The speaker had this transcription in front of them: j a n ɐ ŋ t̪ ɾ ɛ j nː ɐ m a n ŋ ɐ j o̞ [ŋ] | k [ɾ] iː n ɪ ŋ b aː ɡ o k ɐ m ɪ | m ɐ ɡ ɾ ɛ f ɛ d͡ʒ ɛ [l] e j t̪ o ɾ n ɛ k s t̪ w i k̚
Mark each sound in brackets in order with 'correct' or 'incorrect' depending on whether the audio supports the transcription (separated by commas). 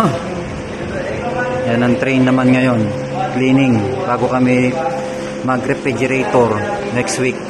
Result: incorrect, incorrect, incorrect